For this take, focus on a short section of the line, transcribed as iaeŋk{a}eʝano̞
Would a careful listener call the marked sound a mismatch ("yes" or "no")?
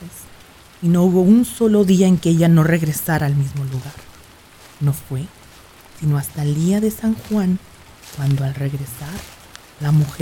yes